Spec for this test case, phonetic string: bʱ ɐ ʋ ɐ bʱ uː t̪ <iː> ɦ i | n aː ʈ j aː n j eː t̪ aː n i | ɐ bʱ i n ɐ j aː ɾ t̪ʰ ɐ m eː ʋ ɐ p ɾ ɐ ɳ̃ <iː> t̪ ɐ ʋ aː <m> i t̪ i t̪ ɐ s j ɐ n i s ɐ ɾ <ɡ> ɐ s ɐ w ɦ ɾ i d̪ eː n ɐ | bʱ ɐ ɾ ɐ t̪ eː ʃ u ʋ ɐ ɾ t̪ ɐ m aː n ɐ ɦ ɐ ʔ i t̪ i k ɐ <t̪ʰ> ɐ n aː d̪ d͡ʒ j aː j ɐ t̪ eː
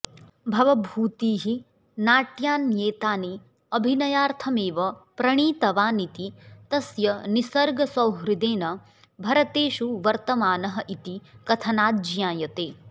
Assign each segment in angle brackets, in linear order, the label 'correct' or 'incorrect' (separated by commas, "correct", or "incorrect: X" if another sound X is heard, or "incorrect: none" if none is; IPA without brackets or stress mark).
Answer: correct, correct, incorrect: n, correct, correct